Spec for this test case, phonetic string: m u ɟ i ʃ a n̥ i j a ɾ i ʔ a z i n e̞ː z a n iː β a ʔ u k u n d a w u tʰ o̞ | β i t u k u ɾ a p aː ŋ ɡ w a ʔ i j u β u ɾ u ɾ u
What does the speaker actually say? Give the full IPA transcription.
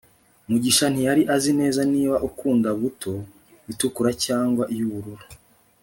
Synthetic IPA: m u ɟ i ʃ a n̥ i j a ɾ i ʔ a z i n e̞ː z a n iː β a ʔ u k uː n d a β u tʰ o̞ | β i t u k u ɾ a c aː ŋ ɡ w a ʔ i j u β u ɾ u ɾ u